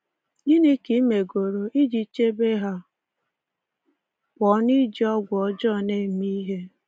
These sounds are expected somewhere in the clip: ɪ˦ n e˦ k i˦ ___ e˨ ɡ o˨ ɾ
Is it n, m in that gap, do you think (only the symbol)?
m